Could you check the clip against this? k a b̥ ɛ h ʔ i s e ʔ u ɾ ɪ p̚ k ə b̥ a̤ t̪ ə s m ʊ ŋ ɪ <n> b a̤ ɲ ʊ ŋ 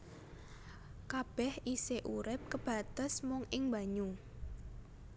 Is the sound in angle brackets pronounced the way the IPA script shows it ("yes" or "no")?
no